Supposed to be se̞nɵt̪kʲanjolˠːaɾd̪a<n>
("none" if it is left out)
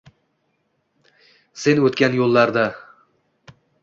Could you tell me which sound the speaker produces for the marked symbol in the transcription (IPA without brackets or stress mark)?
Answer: none